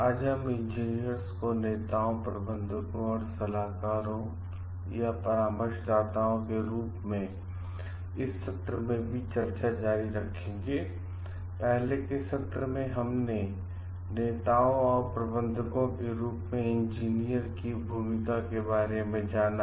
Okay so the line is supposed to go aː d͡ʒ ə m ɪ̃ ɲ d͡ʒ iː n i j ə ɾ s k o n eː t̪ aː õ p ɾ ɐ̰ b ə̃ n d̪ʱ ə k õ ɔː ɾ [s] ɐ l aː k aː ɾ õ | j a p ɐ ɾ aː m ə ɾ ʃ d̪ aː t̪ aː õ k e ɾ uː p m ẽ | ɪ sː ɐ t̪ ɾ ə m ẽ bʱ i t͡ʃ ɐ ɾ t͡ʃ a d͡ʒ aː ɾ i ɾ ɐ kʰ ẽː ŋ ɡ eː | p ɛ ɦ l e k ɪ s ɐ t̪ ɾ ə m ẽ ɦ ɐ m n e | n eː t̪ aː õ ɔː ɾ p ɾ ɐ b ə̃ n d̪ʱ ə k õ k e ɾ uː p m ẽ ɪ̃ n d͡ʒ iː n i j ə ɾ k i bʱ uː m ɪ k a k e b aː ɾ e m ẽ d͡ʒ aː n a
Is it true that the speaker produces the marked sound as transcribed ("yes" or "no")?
yes